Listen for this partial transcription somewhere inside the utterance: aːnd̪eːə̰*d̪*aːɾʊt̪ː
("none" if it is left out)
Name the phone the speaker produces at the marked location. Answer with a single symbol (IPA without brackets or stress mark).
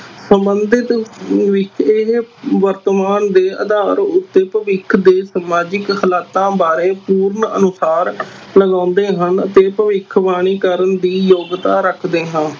d̪